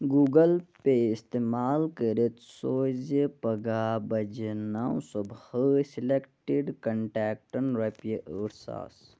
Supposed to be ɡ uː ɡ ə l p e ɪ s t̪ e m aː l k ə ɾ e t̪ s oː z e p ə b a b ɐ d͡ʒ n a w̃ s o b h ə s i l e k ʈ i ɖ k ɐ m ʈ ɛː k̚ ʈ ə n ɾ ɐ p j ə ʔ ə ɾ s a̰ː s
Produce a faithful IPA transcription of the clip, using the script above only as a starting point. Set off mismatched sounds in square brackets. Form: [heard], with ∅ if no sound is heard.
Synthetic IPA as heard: ɡ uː ɡ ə l p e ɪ s t̪ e m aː l k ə ɾ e t̪ s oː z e p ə [ɡ] a b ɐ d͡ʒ n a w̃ s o b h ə s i l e k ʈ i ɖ k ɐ [ɳ] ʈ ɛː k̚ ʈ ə n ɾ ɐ p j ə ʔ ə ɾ s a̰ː s